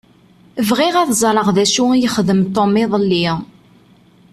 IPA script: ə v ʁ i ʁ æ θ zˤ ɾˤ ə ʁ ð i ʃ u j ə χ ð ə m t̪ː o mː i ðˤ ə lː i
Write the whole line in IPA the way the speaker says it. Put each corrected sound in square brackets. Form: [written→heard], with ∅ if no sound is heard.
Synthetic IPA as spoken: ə v ʁ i ʁ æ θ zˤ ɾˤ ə ʁ ð [i→æ] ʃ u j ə χ ð ə m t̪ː o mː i ðˤ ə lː i